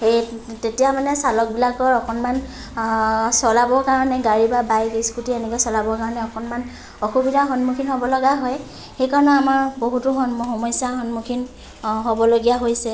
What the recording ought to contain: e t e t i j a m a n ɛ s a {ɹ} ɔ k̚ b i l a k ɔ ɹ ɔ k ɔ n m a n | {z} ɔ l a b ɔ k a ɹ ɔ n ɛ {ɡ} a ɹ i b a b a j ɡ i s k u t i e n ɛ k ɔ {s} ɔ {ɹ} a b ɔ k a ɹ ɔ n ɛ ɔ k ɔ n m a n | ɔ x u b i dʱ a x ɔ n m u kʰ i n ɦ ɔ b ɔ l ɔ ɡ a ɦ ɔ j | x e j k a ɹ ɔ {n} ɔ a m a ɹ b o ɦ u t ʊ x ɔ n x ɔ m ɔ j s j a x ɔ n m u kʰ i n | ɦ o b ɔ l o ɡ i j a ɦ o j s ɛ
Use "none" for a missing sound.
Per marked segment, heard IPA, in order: l, s, ɡ, s, l, n

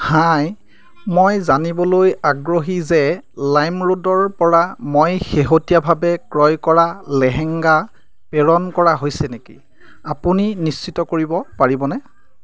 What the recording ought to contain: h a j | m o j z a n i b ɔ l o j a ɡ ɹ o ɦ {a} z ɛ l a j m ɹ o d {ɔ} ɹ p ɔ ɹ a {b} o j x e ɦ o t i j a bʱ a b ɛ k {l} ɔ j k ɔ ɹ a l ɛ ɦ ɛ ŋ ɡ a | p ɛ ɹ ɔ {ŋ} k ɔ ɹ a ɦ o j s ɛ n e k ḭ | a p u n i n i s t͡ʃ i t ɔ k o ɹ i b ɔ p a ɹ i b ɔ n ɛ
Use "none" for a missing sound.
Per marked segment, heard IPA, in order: i, ɔ, m, ɹ, n

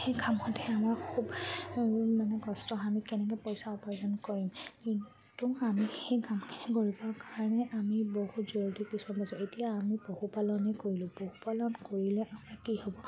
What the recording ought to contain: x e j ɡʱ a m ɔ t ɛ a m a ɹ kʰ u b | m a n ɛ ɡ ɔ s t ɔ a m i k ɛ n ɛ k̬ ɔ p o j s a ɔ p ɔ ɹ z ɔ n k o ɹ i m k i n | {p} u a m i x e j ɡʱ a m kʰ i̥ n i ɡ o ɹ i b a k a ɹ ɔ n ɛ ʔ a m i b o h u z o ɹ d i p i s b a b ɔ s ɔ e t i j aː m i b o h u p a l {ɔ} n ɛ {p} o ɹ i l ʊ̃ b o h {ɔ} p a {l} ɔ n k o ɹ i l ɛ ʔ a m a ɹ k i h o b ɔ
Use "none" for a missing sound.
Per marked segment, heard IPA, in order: t, ɔ, k, u, l

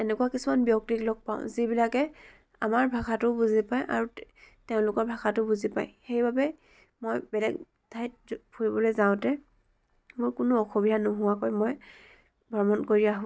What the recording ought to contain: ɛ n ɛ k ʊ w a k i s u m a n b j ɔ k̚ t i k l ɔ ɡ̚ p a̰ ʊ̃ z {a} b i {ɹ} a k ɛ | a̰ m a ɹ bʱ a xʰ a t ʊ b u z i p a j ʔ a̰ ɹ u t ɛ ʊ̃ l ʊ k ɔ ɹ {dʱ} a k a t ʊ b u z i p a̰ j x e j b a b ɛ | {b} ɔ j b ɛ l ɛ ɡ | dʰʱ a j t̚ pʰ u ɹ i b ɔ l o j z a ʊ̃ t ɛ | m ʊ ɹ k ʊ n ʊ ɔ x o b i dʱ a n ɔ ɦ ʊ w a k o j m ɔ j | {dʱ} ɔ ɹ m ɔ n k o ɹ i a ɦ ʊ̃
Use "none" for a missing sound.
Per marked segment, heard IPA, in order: i, l, bʱ, m, bʱ

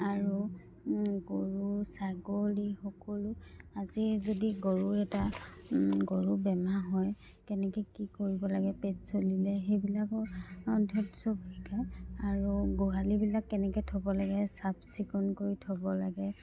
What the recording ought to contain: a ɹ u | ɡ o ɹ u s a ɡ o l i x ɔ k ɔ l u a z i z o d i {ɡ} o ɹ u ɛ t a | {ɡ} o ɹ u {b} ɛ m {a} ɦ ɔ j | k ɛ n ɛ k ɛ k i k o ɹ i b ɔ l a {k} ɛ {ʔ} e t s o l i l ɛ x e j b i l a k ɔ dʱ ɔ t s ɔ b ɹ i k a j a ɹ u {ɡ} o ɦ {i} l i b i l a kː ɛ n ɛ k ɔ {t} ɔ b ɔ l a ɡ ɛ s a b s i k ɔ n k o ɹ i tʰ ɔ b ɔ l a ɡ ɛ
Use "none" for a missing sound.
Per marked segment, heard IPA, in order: ɡ, ɡ, b, a, ɡ, p, ɡ, a, tʰ

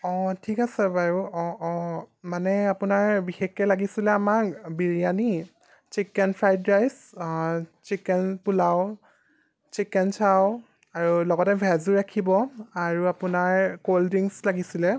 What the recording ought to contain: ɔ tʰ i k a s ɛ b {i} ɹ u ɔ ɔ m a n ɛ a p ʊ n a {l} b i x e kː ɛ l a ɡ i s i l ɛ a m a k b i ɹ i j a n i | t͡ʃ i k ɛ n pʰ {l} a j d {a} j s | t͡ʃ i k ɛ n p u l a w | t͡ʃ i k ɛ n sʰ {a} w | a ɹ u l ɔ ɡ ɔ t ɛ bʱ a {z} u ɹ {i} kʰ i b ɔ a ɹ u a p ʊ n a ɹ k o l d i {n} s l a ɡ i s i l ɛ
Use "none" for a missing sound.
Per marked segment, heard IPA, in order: a, ɹ, ɹ, a, a, z, a, ŋ

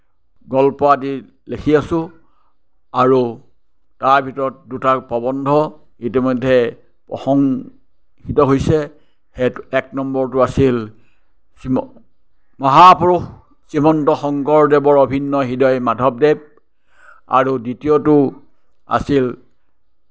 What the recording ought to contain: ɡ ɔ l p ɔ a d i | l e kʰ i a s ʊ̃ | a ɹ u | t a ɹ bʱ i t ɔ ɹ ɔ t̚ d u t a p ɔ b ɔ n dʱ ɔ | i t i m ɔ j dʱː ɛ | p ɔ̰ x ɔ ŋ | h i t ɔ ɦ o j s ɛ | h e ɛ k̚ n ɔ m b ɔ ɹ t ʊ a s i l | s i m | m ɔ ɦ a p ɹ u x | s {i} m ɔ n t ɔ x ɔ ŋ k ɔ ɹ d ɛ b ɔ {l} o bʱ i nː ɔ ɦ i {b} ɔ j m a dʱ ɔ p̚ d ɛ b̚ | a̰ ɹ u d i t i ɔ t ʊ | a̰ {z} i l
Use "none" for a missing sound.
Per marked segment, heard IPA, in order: i, ɹ, d, s

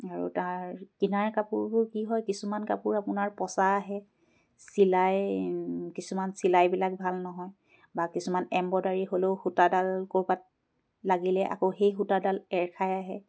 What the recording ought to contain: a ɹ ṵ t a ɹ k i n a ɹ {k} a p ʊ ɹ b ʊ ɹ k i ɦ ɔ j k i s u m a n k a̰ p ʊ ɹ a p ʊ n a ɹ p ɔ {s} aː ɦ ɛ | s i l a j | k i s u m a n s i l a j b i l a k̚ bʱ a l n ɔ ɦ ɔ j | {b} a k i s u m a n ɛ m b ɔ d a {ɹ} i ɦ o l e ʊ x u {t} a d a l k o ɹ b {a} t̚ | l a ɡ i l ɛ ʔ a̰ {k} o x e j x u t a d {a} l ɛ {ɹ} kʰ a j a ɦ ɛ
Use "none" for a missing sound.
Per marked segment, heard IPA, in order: k, s, b, ɹ, t, a, k, a, ɹ

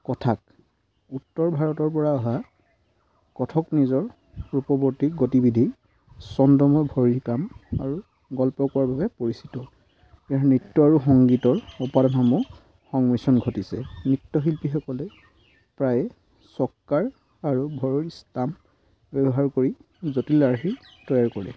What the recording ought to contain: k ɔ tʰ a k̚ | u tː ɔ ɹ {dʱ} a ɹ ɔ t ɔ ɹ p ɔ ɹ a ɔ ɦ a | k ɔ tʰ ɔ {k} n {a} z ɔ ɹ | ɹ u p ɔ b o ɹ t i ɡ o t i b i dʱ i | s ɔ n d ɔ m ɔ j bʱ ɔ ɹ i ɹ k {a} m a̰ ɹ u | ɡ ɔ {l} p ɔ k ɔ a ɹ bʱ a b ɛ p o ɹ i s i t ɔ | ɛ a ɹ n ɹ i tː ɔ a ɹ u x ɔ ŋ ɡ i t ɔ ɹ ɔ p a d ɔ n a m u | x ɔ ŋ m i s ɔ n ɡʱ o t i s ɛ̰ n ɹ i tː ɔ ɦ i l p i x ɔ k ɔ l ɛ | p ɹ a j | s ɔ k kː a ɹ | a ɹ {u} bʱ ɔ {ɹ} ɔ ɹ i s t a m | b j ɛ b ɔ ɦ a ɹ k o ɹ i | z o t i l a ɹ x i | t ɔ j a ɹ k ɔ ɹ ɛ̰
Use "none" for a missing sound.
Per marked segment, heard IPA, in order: bʱ, k, i, a, l, u, ɹ

